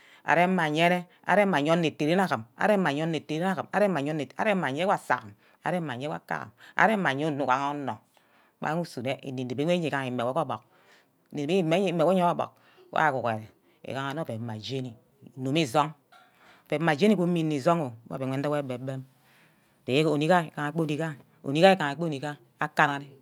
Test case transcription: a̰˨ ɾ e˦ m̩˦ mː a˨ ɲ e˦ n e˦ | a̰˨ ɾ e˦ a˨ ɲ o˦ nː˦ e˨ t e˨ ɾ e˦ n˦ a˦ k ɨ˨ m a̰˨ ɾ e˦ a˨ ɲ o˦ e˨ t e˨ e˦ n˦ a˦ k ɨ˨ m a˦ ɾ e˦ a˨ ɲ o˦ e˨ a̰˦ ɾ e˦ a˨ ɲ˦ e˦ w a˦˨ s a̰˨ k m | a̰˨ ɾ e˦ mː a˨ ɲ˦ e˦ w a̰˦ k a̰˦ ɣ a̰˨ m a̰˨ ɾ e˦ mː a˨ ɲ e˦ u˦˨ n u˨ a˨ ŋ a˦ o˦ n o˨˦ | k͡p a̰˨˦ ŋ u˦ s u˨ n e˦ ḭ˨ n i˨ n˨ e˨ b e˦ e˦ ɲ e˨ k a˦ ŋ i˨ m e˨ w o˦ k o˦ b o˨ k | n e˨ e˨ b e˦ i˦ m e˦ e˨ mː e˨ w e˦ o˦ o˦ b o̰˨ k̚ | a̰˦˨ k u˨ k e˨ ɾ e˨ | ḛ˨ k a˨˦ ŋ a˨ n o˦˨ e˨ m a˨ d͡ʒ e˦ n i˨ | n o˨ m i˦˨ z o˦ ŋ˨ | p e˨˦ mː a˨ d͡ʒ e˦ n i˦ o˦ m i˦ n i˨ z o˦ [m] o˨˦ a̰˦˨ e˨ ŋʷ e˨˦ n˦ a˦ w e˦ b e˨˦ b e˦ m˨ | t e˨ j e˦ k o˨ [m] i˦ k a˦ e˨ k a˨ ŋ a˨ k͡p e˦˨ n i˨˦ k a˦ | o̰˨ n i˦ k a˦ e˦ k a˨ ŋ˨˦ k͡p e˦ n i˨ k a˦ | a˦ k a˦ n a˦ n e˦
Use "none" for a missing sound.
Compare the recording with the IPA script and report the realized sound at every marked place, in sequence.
ŋ, n

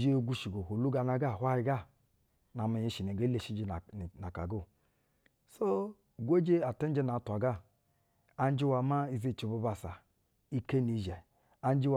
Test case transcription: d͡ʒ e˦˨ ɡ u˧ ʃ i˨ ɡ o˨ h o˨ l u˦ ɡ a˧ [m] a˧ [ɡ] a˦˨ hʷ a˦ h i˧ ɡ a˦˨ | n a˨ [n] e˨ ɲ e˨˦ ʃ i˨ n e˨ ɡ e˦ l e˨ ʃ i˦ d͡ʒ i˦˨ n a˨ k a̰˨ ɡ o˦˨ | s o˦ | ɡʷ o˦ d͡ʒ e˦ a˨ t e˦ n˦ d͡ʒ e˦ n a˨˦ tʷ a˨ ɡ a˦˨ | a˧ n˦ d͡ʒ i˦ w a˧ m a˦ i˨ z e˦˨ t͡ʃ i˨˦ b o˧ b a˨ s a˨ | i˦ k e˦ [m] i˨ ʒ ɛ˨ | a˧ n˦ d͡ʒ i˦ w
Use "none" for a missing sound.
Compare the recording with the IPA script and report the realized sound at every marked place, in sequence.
n, ɡ, m, n

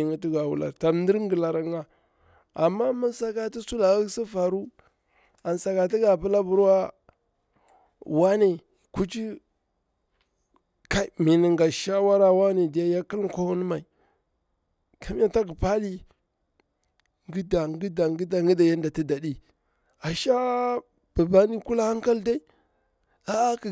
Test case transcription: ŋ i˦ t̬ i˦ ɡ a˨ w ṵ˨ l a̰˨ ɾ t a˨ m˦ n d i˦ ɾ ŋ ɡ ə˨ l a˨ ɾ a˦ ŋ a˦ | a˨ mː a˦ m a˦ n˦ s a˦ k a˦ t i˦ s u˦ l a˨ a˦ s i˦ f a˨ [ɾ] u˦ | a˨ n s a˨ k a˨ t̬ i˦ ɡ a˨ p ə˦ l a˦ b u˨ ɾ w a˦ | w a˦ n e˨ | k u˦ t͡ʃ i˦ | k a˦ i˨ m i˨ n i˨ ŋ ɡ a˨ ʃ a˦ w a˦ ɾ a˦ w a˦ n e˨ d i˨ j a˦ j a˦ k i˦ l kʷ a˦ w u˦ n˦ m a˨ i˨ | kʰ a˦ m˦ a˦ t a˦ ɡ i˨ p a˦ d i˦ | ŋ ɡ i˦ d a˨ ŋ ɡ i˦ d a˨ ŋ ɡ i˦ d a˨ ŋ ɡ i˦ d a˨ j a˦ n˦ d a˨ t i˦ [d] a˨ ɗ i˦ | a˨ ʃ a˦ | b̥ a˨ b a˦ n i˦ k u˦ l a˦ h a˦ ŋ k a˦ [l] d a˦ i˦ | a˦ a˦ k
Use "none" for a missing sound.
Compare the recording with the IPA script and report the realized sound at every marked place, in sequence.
ɾ, d, l

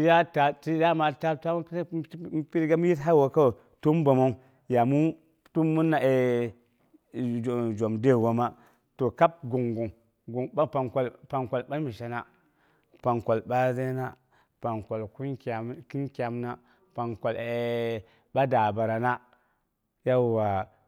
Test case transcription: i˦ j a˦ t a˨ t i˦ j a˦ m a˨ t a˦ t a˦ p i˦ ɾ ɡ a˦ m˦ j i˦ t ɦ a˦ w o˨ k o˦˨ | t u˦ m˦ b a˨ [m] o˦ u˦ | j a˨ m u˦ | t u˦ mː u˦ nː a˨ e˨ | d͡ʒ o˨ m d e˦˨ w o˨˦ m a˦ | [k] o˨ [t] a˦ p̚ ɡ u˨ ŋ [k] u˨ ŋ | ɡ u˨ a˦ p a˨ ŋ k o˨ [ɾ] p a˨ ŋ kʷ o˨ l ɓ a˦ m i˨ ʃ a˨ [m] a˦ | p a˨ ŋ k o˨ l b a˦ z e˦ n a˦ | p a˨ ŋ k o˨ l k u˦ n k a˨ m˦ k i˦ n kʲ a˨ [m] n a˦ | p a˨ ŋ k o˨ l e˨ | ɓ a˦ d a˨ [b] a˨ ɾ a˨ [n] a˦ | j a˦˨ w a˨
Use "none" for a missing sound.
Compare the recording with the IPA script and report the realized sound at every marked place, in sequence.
m, t, k, ɡ, l, n, m, b, n

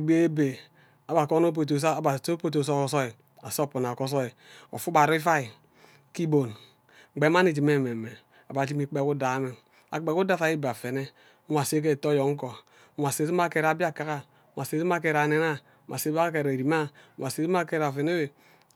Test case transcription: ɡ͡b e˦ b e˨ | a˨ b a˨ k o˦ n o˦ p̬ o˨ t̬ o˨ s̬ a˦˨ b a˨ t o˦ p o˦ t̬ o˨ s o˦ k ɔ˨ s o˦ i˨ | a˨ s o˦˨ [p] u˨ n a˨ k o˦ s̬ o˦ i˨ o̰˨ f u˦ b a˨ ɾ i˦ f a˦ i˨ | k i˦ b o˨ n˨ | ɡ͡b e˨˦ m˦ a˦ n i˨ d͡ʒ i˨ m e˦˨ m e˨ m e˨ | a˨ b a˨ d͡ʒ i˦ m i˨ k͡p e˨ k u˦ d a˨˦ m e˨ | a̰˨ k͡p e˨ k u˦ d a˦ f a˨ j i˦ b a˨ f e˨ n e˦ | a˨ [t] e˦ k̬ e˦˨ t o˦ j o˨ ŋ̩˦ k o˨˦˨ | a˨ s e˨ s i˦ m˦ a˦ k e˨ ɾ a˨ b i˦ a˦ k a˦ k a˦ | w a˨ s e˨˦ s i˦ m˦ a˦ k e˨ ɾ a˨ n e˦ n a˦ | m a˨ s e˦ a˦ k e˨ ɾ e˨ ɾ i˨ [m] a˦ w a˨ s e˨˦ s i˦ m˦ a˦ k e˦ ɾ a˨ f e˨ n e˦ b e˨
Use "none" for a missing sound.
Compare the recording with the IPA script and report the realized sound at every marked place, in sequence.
p, s, m

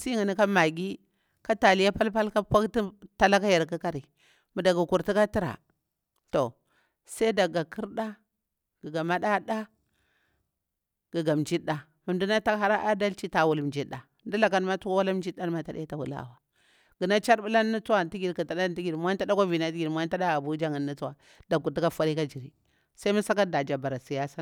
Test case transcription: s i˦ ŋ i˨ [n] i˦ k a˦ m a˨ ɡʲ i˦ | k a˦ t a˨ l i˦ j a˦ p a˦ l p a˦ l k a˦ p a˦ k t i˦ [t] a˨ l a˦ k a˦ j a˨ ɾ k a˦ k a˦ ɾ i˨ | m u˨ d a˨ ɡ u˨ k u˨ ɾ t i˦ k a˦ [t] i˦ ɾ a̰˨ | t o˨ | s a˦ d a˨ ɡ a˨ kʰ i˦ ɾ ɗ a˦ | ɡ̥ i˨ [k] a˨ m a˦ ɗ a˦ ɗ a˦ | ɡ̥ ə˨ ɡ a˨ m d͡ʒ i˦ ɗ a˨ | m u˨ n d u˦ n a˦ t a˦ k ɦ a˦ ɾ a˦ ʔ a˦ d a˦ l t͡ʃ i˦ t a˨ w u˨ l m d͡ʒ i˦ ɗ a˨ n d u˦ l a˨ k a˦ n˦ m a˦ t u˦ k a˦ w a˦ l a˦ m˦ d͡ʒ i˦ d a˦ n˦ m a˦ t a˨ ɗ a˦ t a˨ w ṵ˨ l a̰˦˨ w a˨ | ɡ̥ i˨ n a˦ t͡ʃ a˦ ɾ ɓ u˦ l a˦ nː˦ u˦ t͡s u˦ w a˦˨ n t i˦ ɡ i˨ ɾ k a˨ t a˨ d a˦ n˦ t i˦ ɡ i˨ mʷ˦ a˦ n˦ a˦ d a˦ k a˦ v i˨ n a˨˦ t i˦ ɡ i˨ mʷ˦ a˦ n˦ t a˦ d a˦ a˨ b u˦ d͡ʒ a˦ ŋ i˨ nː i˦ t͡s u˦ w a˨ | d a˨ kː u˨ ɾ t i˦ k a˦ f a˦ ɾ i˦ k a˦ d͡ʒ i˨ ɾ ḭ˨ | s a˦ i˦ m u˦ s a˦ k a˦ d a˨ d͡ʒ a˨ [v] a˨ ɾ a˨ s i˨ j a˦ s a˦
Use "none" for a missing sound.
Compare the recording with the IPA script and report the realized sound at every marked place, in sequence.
n, t, t, ɡ, b

